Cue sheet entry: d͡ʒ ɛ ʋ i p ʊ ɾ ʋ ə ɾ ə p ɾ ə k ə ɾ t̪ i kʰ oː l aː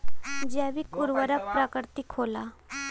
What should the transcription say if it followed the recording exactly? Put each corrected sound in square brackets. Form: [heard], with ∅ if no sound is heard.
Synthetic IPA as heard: d͡ʒ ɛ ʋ i [k] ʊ ɾ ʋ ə ɾ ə p ɾ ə k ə ɾ t̪ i kʰ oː l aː

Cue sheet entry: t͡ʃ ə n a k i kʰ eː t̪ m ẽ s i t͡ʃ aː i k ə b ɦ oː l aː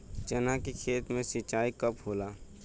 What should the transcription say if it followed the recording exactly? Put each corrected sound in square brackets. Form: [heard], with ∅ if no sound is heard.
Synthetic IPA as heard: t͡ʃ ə n a k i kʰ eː t̪ m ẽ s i t͡ʃ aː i k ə [p] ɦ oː l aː

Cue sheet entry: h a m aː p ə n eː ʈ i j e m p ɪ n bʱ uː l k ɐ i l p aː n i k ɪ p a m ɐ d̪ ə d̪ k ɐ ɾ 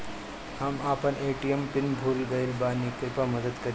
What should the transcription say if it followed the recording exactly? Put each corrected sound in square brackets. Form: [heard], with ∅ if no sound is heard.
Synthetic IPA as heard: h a m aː p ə n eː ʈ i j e m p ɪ n bʱ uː l [ɡ] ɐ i l [b] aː n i k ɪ p a m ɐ d̪ ə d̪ k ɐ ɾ

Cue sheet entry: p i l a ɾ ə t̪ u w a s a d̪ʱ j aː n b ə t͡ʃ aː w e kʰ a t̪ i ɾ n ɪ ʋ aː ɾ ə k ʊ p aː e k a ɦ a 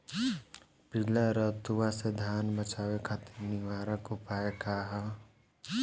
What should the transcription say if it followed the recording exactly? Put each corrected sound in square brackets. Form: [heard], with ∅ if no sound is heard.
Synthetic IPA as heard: p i l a ɾ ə t̪ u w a s [e] d̪ʱ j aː n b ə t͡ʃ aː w e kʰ a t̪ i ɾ n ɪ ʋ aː ɾ ə k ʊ p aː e k a ɦ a

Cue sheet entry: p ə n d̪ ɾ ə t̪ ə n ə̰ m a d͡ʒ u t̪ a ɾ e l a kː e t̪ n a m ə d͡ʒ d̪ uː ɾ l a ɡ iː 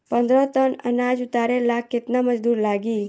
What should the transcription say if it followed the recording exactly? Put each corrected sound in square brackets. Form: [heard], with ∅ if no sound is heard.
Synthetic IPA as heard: p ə n d̪ ɾ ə t̪ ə n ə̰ [n] a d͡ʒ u t̪ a ɾ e l a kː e t̪ n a m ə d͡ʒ d̪ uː ɾ l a ɡ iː

